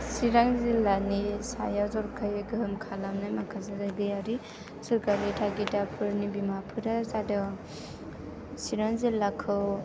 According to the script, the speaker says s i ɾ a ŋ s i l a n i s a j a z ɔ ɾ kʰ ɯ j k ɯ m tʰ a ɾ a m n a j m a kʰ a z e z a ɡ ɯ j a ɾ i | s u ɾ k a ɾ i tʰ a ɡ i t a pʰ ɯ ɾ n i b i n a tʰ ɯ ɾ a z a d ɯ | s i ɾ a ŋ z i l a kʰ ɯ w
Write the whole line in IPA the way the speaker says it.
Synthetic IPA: s i ɾ a ŋ z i l a n i s a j a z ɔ ɾ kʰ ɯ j ɡ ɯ m kʰ a l a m n a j m a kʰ a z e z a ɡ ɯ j a ɾ i | s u ɾ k a ɾ i tʰ a ɡ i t a pʰ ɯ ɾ n i b i m a pʰ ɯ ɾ a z a d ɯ | s i ɾ a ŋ z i l a kʰ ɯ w